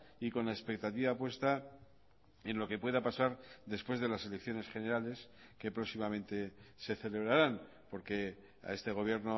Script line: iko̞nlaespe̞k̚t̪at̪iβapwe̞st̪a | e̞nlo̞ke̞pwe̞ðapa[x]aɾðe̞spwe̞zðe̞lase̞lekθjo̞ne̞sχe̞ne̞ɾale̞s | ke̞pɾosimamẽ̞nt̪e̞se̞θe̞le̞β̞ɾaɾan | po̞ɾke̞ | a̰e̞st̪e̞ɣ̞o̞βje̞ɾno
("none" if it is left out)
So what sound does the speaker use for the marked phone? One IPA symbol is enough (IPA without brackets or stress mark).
s